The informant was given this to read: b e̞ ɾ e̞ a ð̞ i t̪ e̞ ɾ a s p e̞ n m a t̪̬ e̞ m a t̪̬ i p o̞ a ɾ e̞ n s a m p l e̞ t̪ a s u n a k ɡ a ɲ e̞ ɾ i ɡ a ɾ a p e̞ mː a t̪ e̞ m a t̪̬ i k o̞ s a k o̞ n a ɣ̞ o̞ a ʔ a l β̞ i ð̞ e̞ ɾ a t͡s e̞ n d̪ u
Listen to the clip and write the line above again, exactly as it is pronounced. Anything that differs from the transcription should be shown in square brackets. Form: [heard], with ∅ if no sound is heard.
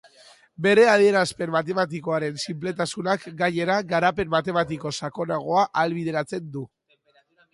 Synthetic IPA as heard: b e̞ ɾ e̞ a ð̞ i [∅] e̞ ɾ a s p e̞ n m a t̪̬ e̞ m a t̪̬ i [k] o̞ a ɾ e̞ n s [i] m p l e̞ t̪ a s u n a k ɡ a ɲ e̞ ɾ [a] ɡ a ɾ a p e̞ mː a t̪ e̞ m a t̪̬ i k o̞ s a k o̞ n a ɣ̞ o̞ a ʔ a l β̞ i ð̞ e̞ ɾ a t͡s e̞ n d̪ u